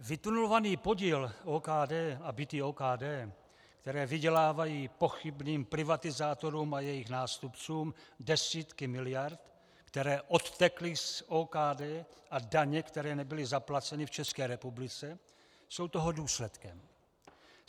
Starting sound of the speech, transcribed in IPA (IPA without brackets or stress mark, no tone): v